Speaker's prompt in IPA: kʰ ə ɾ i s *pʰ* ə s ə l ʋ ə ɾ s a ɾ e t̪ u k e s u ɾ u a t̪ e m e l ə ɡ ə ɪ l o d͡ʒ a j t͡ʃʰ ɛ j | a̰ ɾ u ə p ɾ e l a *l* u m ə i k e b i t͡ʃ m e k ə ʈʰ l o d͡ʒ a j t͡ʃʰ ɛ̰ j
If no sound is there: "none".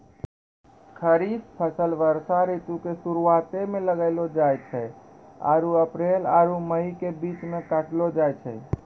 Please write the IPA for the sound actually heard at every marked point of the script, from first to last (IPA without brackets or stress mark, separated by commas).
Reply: pʰ, ɾ